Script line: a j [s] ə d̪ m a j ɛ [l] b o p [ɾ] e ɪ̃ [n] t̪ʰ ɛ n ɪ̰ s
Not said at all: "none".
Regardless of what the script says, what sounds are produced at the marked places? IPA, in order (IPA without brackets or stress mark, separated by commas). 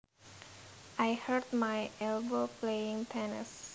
h, l, l, ŋ